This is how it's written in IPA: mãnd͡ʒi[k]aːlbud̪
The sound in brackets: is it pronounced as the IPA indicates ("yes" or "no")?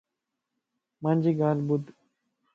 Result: no